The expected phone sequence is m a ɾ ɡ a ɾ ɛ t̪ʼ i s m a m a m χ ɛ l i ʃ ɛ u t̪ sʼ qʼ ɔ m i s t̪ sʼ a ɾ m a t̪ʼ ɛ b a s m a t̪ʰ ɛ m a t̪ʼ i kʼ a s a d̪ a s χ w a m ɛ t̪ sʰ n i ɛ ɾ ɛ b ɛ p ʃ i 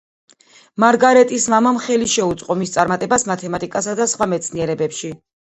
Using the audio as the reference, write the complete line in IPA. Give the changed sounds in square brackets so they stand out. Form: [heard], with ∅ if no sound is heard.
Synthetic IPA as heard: m a ɾ ɡ a ɾ ɛ t̪ʼ i s m a m a m χ ɛ l i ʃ ɛ u t̪ sʼ qʼ ɔ m i s t̪ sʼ a ɾ m a t̪ʼ ɛ b a s m a t̪ʰ ɛ m a t̪ʼ i kʼ a s a d̪ a s χ w a m ɛ t̪ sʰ n i ɛ ɾ ɛ b ɛ p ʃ i